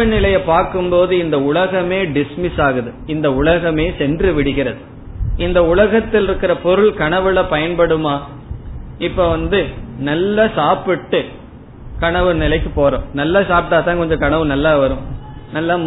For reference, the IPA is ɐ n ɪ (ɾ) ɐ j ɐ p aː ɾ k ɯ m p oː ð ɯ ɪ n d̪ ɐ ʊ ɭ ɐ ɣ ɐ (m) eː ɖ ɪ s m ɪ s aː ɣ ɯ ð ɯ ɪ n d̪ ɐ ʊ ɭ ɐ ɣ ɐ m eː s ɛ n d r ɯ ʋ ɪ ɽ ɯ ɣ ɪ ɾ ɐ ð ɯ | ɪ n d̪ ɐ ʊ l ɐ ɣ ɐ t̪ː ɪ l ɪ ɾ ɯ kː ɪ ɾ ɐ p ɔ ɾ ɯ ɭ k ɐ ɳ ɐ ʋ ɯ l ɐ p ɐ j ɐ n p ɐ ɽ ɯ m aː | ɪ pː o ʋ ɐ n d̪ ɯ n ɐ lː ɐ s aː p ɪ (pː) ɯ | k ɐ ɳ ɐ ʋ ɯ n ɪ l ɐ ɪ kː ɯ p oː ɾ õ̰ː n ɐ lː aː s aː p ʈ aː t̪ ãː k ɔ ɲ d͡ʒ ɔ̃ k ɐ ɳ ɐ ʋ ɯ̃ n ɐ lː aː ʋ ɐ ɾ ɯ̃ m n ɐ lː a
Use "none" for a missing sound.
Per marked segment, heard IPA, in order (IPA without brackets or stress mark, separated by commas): l, m, ʈː